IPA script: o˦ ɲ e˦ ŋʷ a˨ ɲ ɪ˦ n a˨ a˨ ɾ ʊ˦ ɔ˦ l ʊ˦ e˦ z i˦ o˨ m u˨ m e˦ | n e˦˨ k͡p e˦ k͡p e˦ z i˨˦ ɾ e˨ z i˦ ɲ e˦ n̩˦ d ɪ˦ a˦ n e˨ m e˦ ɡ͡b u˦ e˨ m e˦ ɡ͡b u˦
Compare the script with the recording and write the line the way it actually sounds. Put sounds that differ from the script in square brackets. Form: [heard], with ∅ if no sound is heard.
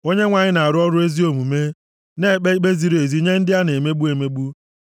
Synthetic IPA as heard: o˦ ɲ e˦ ŋʷ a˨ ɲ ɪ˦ n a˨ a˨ ɾ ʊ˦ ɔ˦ [ɾ] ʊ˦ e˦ z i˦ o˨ m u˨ m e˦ | n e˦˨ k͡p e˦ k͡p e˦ z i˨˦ ɾ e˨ z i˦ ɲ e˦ n̩˦ d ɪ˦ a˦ n e˨ m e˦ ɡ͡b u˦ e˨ m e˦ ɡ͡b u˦